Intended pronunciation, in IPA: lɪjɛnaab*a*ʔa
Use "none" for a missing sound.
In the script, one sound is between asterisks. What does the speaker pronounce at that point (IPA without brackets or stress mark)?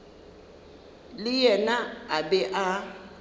ɛ